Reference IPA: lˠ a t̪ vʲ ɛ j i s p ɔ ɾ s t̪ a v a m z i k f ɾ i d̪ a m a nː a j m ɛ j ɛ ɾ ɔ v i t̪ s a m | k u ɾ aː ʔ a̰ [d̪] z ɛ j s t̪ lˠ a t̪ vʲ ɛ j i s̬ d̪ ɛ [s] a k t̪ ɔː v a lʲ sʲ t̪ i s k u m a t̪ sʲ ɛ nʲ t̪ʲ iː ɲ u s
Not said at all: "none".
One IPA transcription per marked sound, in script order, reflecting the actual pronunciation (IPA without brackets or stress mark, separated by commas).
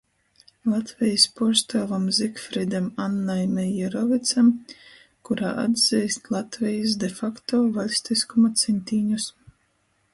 d̪, f